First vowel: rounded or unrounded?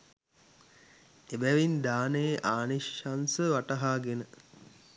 unrounded